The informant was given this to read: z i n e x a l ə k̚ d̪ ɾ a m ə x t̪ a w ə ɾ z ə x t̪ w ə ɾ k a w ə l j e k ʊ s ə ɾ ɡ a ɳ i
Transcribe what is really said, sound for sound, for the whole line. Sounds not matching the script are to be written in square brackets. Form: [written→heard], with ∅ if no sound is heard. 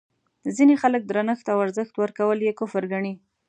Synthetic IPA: z i n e x a l ə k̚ d̪ ɾ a [m→n] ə x t̪ a w [ə→a] ɾ z ə x t̪ w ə ɾ k a w ə l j e k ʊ [s→f] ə ɾ ɡ a ɳ i